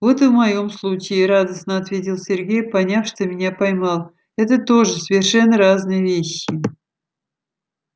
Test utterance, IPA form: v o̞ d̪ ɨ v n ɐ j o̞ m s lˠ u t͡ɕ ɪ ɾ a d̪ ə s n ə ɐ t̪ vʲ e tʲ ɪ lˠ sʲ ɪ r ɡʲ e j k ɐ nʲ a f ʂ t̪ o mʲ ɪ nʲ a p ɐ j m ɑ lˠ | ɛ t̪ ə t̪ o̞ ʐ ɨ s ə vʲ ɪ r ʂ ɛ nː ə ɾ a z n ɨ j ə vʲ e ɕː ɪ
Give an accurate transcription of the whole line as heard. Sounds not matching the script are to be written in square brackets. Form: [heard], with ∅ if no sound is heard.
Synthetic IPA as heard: v o̞ [t̪] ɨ v [m] ɐ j o̞ m s lˠ u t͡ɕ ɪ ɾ a d̪ ə s n ə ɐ t̪ vʲ e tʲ ɪ lˠ sʲ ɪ r ɡʲ e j [p] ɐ nʲ a f ʂ t̪ o mʲ ɪ nʲ a p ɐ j m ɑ lˠ | ɛ t̪ ə t̪ o̞ ʐ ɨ s ə vʲ ɪ r ʂ ɛ nː ə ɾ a z n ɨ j ə vʲ e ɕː ɪ